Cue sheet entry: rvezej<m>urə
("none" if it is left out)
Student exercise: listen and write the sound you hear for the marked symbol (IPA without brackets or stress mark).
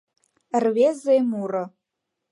m